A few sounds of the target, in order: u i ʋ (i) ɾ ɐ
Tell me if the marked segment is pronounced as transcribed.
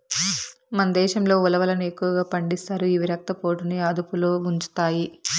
yes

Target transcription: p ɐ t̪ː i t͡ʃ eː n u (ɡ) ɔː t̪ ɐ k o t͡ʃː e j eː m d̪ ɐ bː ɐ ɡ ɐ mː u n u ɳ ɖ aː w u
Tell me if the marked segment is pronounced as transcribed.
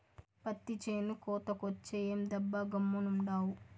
no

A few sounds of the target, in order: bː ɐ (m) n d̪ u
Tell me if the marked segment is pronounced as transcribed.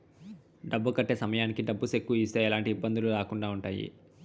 no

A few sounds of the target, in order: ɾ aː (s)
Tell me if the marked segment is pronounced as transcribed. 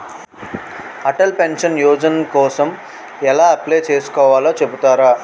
no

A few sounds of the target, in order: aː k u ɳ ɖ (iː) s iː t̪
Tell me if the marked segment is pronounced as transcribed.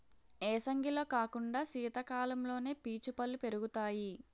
no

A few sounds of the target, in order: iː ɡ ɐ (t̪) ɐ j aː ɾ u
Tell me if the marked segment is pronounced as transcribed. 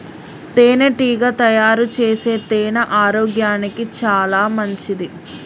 yes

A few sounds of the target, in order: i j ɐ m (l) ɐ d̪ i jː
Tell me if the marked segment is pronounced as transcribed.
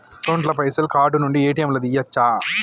yes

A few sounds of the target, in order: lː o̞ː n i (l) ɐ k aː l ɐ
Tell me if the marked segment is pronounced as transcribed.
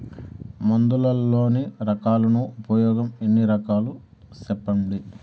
no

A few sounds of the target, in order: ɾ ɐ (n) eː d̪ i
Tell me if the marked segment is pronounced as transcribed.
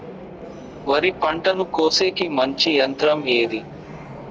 no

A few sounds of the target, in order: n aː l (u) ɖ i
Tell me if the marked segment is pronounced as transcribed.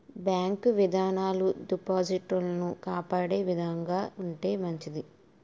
yes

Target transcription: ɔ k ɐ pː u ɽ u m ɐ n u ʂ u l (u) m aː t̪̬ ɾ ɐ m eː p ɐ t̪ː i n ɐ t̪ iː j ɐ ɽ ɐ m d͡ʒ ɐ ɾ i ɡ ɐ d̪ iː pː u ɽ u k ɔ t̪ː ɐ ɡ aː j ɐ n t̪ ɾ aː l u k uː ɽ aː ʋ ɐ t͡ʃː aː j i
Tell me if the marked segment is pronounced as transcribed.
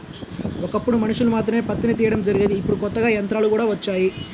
yes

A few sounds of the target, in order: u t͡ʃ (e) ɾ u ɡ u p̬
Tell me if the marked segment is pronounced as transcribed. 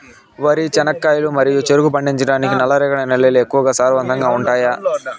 yes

